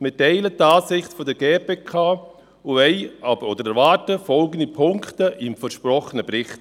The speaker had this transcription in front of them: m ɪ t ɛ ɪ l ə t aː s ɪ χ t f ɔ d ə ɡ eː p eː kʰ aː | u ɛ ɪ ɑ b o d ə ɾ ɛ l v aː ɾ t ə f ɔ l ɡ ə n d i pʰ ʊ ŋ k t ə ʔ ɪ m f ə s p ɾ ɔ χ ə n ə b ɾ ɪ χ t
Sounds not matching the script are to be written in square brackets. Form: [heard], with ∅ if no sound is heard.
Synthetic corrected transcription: m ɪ t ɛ ɪ l ə t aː s ɪ χ t f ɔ d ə ɡ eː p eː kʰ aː | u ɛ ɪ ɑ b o d ə ɾ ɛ [ɾ] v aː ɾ t ə f ɔ l ɡ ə n d i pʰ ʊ ŋ k t ə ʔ ɪ m f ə [ʃ] p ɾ ɔ χ ə n ə b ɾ ɪ χ t

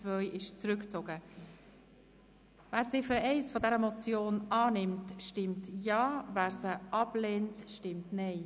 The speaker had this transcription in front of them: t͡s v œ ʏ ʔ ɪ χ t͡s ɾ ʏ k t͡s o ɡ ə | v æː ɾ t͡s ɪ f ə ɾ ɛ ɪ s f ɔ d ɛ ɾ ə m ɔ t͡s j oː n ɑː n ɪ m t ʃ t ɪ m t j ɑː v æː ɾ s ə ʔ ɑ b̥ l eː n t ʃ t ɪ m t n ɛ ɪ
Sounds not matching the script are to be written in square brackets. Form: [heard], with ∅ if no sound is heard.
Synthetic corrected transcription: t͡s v œ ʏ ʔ ɪ [ʃ] t͡s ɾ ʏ k t͡s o ɡ ə | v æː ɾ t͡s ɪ f ə ɾ ɛ ɪ s f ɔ d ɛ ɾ ə m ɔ t͡s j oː n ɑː n ɪ m t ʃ t ɪ m t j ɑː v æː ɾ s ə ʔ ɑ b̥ l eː n t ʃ t ɪ m t n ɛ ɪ

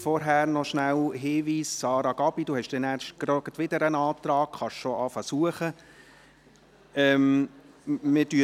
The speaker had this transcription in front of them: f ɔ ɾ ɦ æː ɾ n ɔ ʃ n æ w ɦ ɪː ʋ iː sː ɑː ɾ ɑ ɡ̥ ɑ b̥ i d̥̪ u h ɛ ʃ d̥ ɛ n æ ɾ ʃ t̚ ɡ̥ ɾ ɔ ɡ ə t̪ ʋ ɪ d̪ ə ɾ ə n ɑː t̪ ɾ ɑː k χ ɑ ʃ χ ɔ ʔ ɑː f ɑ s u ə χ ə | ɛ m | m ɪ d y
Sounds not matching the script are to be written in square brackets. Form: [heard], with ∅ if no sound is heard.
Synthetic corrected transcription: f ɔ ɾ ɦ æː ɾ n ɔ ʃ n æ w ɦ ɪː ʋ iː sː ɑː ɾ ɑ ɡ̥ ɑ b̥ i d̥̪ u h ɛ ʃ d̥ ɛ n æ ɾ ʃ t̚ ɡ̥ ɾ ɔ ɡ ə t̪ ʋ ɪ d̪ ə ɾ ə n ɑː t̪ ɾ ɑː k χ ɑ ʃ [ʃ] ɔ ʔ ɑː f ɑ s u ə χ ə | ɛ m | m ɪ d y

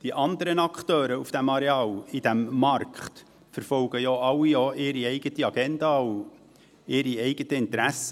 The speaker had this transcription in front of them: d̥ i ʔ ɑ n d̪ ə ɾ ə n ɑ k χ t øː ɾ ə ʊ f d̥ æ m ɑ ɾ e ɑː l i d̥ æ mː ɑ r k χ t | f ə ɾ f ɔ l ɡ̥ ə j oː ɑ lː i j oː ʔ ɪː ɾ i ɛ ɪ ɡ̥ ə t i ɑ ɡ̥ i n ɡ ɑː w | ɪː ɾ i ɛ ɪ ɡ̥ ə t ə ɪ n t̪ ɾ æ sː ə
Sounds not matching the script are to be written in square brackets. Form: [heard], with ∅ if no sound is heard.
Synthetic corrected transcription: d̥ i ʔ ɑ n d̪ ə ɾ ə n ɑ k χ t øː ɾ ə [u] f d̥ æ m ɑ ɾ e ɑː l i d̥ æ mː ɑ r k χ t | f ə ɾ f ɔ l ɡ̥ ə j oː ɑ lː i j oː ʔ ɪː ɾ i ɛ ɪ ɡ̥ ə t i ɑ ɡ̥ [ɛ] n [d] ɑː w | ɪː ɾ i ɛ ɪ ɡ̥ ə t ə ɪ n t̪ ɾ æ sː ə

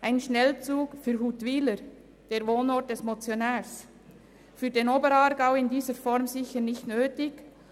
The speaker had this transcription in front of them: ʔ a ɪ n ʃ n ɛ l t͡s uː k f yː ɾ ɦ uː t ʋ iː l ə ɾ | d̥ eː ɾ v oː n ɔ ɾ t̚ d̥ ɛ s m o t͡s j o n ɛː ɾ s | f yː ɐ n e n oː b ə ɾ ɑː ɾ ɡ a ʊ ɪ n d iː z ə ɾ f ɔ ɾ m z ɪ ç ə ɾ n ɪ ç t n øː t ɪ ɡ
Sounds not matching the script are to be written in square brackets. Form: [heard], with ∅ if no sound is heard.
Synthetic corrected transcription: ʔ a ɪ n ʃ n ɛ l t͡s uː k f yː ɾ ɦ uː t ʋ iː l ə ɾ | d̥ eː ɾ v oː n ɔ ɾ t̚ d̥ ɛ s m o t͡s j o n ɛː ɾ s | f yː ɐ [d] e n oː b ə ɾ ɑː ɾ ɡ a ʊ ɪ n d iː z ə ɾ f ɔ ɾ m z ɪ ç ə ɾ n ɪ ç t n øː t ɪ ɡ

